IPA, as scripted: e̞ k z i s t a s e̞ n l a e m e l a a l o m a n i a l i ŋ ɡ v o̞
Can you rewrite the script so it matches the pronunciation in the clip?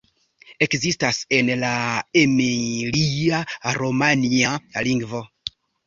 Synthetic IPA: e̞ k z i s t a s e̞ n l a e m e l i a ɾ o m a n i a l i ŋ ɡ v o̞

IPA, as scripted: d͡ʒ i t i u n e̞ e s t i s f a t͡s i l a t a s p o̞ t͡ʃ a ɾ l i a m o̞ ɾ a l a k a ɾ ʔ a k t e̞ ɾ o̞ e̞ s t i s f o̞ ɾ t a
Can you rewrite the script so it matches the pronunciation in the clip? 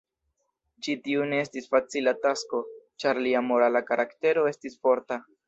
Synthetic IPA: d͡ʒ i t i u n e̞ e s t i s f a t͡s i l a t a s k o̞ t͡ʃ a ɾ l i a m o̞ ɾ a l a k a ɾ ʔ a k t e̞ ɾ o̞ e̞ s t i s f o̞ ɾ t a

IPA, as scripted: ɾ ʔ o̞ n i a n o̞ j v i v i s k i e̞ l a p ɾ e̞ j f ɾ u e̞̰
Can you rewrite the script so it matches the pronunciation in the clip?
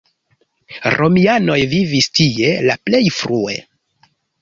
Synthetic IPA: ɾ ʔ o̞ m i a n o̞ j v i v i s t i e̞ l a p l e̞ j f ɾ u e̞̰

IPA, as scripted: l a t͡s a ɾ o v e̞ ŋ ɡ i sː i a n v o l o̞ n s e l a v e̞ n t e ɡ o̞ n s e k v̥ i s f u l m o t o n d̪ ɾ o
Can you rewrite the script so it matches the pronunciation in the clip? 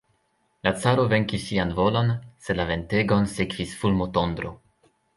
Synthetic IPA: l a t͡s a ɾ o v e̞ ŋ k i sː i a n v o l o̞ n s e l a v e̞ n t e ɡ o̞ n s e k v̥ i s f u l m o t o n d̪ ɾ o

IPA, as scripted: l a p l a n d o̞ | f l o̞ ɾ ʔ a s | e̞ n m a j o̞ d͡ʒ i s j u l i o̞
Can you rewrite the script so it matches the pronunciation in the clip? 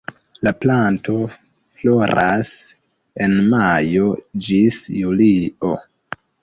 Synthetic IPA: l a p l a n t o̞ | f l o̞ ɾ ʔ a s | e̞ n m a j o̞ d͡ʒ i s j u l i o̞

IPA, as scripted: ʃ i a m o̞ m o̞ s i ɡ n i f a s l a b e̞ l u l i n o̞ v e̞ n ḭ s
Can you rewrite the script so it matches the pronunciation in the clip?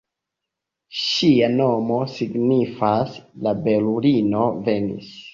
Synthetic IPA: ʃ i a n o̞ m o̞ s i ɡ n i f a s l a b e̞ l u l i n o̞ v e̞ n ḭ s

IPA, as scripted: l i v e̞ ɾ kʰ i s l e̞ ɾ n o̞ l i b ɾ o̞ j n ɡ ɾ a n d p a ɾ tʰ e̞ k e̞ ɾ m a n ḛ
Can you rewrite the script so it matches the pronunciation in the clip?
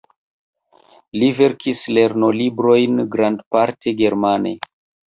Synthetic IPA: l i v e̞ ɾ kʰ i s l e̞ ɾ n o̞ l i b ɾ o̞ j n ɡ ɾ a n d p a ɾ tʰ e̞ ɡ e̞ ɾ m a n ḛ

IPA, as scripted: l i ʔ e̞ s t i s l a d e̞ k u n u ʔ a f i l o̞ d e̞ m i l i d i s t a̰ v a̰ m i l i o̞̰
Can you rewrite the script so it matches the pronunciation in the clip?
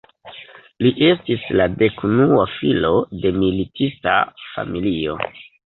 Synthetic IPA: l i ʔ e̞ s t i s l a d e̞ k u n u a f i l o̞ d e̞ m i l i t i s t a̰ f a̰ m i l i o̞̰

